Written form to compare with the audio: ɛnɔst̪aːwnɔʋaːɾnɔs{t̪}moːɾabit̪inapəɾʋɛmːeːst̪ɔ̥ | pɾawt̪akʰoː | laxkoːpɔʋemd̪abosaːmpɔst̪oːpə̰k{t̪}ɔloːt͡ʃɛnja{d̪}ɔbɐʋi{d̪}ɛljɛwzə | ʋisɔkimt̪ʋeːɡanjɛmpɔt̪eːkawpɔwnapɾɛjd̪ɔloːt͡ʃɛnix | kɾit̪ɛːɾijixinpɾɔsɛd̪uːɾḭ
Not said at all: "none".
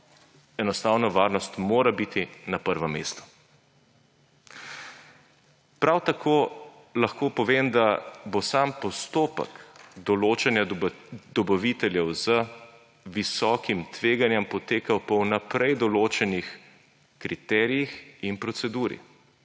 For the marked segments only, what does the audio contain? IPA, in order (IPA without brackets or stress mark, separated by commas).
t̪, d̪, d̪, t̪